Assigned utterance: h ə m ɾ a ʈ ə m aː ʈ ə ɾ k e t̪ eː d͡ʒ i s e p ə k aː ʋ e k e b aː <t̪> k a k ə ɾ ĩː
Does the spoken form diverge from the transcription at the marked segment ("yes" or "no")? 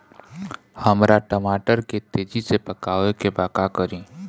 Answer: yes